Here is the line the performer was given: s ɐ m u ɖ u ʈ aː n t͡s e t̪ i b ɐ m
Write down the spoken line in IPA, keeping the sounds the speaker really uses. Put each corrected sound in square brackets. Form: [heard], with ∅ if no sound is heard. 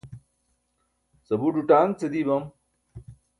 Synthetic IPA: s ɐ [b] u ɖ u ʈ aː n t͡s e [d̪] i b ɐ m